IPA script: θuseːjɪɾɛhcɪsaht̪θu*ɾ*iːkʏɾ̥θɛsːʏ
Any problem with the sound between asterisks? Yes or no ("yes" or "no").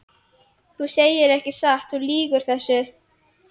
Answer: yes